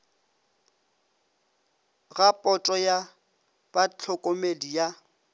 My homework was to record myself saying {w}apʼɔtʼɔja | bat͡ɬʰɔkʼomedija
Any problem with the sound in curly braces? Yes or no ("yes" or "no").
yes